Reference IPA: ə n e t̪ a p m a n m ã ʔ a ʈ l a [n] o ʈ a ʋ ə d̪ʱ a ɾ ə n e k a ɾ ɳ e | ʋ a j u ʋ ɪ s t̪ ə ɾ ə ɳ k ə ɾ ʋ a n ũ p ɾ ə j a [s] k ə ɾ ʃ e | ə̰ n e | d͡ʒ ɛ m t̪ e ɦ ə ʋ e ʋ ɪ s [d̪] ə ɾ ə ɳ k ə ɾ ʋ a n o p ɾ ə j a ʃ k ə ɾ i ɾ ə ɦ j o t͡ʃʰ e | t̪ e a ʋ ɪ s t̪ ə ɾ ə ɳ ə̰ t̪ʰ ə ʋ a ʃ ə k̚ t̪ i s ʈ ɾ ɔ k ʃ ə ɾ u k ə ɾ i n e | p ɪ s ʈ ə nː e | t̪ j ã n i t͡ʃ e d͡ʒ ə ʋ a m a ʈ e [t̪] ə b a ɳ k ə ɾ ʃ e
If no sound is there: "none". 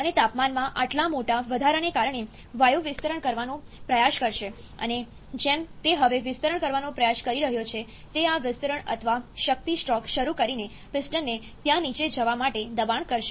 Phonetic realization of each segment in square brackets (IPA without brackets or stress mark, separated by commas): m, ʃ, t̪, d̪